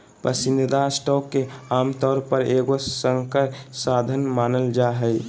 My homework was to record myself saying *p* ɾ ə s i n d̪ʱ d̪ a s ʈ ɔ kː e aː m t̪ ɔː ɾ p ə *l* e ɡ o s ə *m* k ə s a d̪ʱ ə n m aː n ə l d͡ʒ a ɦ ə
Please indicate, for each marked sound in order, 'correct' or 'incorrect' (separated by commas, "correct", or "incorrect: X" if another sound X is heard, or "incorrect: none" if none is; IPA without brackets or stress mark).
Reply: correct, incorrect: ɾ, incorrect: ŋ